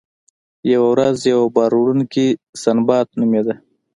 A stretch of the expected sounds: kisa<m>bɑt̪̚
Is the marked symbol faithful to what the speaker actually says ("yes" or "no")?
no